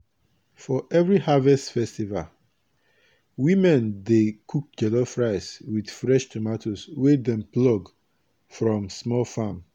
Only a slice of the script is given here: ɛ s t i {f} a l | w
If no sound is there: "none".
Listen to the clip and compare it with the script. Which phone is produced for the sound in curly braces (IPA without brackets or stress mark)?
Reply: v